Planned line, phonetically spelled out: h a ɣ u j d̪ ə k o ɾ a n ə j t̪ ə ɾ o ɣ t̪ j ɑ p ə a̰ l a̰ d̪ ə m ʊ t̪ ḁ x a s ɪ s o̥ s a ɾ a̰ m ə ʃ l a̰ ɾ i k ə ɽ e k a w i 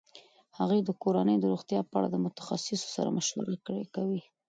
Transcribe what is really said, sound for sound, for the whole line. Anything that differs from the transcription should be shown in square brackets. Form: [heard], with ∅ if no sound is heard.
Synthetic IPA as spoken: h a ɣ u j d̪ ə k o ɾ a n ə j [d̪] ə ɾ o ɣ t̪ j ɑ p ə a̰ [ɽ] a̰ d̪ ə m ʊ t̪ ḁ x a s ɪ s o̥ s a ɾ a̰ m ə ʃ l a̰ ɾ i k ə ɽ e k a w i